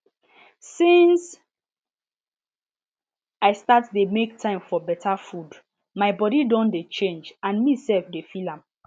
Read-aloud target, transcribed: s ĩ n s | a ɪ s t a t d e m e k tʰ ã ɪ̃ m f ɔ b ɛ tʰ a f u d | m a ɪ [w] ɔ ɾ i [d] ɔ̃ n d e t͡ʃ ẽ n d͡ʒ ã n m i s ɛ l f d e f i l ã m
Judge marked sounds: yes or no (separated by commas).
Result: no, yes